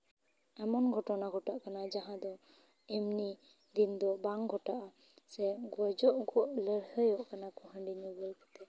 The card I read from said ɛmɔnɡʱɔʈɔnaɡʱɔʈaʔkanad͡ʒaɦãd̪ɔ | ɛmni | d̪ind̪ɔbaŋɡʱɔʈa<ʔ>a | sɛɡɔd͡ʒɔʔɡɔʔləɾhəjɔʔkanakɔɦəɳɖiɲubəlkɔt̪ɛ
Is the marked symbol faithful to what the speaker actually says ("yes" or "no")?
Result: yes